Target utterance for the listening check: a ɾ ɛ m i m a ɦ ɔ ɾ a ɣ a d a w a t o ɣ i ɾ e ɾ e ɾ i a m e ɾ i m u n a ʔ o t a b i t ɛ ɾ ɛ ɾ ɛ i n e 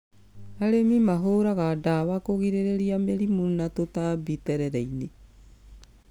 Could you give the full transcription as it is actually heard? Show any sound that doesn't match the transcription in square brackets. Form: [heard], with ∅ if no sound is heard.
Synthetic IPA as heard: a ɾ [e] m i m a ɦ [o] ɾ a ɣ a d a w a [k] o ɣ i ɾ e ɾ e ɾ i a m e ɾ i m u n a [t] o t a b i t ɛ ɾ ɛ ɾ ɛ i n e